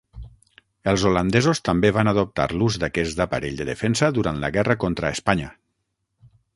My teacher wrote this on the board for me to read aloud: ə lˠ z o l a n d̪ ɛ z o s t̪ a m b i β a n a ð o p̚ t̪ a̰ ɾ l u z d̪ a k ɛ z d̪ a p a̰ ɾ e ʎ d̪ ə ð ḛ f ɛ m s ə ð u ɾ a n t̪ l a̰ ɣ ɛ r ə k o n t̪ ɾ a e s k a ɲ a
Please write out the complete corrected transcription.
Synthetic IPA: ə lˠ z o l a n d̪ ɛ z o s t̪ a m b e β a n a ð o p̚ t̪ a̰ ɾ l u z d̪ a k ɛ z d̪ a p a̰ ɾ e ʎ d̪ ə ð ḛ f ɛ n s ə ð u ɾ a n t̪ l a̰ ɣ ɛ r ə k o n t̪ ɾ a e s p a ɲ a